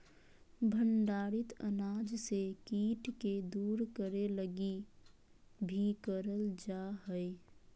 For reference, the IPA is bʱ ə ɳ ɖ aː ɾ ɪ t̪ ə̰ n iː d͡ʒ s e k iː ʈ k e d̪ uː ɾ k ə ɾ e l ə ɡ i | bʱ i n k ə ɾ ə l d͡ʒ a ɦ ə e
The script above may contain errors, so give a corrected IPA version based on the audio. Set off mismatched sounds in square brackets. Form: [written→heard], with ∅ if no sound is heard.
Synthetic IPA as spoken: bʱ ə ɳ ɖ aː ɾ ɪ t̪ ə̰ n [iː→aː] d͡ʒ s e k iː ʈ k e d̪ uː ɾ k ə ɾ e l ə ɡ i | bʱ i [n→∅] k ə ɾ ə l d͡ʒ a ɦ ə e

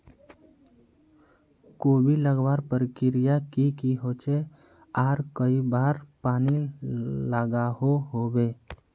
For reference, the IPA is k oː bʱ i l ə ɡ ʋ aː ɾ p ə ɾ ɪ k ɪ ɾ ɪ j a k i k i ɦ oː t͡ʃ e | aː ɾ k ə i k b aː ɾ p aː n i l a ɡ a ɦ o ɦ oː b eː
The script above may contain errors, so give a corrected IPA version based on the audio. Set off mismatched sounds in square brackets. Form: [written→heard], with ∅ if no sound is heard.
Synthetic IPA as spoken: k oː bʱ i l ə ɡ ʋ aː ɾ p ə ɾ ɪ k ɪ ɾ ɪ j a k i k i ɦ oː t͡ʃ e | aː ɾ k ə i [k→∅] b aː ɾ p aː n i l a ɡ a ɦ o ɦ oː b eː

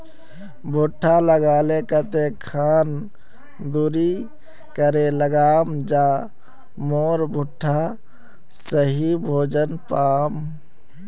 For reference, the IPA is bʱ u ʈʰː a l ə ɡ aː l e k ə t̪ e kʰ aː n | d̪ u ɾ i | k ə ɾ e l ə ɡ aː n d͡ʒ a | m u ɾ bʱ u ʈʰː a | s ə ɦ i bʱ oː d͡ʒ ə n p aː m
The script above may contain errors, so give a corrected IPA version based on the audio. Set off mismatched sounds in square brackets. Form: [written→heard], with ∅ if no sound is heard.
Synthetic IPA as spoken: bʱ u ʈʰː a l ə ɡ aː l e k ə t̪ e kʰ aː n | d̪ u ɾ i | k ə ɾ e l ə ɡ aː [n→m] d͡ʒ a | m [u→o] ɾ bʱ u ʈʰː a | s ə ɦ i bʱ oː d͡ʒ ə n p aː m

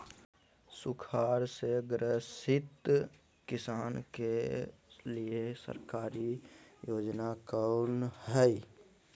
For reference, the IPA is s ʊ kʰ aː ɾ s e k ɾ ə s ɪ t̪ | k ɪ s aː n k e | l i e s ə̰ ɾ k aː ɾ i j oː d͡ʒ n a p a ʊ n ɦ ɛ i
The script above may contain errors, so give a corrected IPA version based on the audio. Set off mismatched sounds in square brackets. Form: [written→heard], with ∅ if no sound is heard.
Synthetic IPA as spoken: s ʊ kʰ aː ɾ s e [k→ɡ] ɾ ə s ɪ t̪ | k ɪ s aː n k e | l i e s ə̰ ɾ k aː ɾ i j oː d͡ʒ n a [p→k] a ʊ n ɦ ɛ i

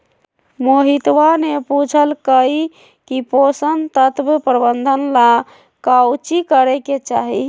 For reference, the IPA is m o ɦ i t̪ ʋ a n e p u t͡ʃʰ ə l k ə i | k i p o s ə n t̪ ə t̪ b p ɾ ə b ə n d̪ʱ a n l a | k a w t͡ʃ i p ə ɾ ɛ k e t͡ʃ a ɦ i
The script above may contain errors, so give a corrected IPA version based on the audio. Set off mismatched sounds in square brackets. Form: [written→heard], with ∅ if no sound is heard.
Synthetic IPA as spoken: m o ɦ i t̪ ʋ a n e p u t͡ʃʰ ə l k ə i | k i p o s ə n t̪ ə t̪ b p ɾ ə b ə n d̪ʱ [a→ə] n l a | k a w t͡ʃ i [p→k] ə ɾ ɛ k e t͡ʃ a ɦ i

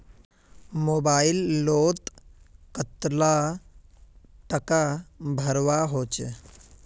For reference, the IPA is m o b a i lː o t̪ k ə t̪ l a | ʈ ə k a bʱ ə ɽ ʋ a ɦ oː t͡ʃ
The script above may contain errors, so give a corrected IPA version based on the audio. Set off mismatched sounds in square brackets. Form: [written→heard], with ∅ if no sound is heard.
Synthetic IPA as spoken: m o b a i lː o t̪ k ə t̪ l a | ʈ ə k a bʱ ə [ɽ→ɾ] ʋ a ɦ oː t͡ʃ

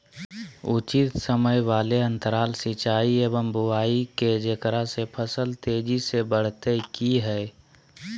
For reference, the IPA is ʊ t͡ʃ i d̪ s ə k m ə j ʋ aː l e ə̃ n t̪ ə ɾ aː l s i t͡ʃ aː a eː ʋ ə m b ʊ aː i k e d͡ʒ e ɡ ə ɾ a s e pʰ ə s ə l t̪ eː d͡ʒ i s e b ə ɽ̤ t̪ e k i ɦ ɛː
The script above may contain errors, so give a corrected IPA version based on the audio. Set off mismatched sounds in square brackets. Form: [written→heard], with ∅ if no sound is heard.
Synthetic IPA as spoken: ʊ t͡ʃ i [d̪→t̪] s ə [k→∅] m ə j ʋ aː l e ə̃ n t̪ ə ɾ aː l s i t͡ʃ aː [a→i] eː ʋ ə m b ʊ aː i k e d͡ʒ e [ɡ→k] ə ɾ a s e pʰ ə s ə l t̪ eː d͡ʒ i s e b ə ɽ̤ t̪ e k i ɦ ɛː

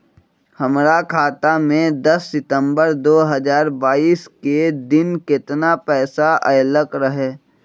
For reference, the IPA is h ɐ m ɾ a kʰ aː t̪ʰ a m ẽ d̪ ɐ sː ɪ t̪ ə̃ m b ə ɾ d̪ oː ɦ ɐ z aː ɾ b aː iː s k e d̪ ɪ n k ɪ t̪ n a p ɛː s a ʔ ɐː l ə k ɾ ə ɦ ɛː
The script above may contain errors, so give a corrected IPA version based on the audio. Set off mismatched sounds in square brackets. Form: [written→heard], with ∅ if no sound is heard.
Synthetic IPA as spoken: h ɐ m ɾ a kʰ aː [t̪ʰ→t̪] a m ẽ d̪ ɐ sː ɪ t̪ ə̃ m b ə ɾ d̪ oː ɦ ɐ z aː ɾ b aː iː s k e d̪ ɪ n k ɪ t̪ n a p ɛː s a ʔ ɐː l ə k ɾ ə ɦ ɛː

